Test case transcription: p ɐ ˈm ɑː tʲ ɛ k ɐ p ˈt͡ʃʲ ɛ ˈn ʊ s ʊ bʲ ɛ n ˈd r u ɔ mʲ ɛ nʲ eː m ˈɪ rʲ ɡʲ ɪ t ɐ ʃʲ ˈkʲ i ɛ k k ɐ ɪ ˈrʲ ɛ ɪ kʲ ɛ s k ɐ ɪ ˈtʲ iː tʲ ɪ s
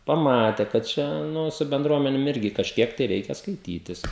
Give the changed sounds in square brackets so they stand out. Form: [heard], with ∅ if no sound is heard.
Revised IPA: p ɐ ˈm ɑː tʲ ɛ k ɐ [t] ˈt͡ʃʲ ɛ ˈn ʊ s ʊ bʲ ɛ n ˈd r u ɔ mʲ ɛ nʲ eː m ˈɪ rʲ ɡʲ ɪ [k] ɐ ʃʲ ˈkʲ i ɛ k [t] ɐ ɪ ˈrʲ ɛ ɪ kʲ ɛ s k ɐ ɪ ˈtʲ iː tʲ ɪ s